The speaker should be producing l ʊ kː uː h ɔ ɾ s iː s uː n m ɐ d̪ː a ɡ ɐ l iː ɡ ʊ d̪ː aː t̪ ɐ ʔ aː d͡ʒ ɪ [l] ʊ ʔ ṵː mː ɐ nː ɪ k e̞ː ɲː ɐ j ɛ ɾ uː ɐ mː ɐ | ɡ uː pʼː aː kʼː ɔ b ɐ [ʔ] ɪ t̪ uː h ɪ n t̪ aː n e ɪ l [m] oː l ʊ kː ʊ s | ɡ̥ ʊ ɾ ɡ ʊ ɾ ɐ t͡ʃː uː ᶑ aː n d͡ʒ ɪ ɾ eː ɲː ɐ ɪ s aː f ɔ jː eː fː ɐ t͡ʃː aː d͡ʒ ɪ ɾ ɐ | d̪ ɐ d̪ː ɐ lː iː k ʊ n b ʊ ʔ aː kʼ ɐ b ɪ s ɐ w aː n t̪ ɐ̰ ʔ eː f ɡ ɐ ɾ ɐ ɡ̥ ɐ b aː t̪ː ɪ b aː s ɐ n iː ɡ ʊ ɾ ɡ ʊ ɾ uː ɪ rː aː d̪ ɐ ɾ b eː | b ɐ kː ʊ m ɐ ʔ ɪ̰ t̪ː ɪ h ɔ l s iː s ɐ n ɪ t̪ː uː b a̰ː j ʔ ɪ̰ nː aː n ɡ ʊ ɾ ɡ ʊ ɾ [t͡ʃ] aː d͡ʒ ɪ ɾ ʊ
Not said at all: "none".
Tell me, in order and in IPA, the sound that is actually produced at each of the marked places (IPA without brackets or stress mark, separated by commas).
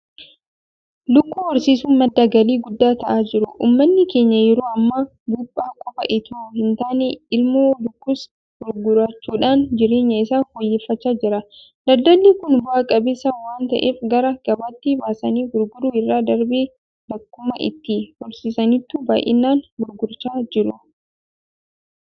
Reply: ɾ, ʔ, m, t͡ʃ